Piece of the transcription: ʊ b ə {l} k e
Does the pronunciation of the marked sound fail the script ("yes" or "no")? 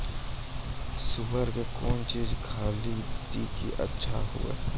yes